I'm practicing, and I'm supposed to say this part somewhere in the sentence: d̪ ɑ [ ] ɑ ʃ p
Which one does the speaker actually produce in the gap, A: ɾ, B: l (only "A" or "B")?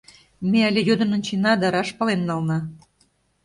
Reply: A